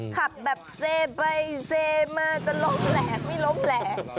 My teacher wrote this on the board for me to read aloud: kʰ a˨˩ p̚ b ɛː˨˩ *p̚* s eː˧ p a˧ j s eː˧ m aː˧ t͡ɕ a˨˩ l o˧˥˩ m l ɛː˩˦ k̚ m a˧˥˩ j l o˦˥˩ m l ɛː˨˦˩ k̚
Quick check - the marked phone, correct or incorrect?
correct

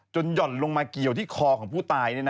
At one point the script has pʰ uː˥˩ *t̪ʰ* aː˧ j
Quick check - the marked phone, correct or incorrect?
incorrect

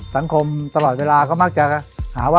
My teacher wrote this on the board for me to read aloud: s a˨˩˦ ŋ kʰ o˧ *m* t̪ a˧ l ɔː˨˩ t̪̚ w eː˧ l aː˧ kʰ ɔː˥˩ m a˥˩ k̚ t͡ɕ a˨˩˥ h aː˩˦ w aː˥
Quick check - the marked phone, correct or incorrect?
correct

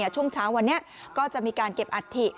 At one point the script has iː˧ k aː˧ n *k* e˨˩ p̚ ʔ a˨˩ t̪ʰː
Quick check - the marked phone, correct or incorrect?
correct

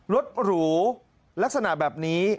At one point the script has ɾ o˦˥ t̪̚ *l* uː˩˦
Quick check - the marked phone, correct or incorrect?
incorrect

